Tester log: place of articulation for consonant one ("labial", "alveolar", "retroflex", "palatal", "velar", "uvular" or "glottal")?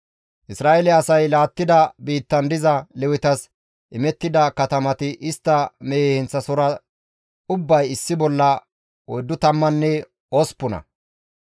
glottal